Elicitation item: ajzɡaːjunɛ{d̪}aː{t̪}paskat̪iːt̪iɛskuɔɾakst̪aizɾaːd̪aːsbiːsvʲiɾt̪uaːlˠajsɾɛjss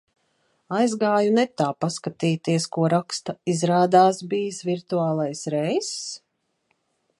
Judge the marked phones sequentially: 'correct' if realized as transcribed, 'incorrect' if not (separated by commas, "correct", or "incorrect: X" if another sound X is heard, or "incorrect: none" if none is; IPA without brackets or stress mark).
incorrect: t̪, incorrect: none